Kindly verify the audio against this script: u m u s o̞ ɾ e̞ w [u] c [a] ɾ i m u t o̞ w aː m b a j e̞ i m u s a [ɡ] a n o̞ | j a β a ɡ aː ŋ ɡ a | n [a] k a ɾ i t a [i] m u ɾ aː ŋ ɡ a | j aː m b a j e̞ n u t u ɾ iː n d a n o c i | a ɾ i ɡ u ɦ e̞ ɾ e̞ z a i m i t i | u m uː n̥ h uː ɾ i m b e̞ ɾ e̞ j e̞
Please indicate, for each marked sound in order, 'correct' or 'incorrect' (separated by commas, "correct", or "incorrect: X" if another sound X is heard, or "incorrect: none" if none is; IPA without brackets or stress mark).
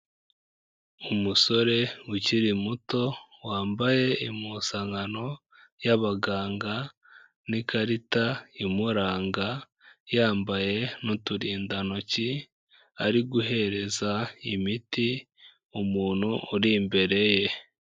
correct, incorrect: i, incorrect: ŋ, incorrect: i, correct